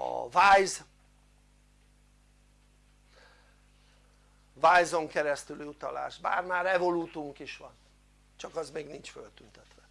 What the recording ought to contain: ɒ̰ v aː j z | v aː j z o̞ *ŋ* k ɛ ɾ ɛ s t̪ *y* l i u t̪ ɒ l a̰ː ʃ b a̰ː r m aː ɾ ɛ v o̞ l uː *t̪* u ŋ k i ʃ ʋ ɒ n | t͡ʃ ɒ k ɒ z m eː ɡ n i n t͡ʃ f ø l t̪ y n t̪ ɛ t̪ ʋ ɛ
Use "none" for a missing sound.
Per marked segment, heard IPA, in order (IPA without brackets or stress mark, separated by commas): ŋ, y, t̪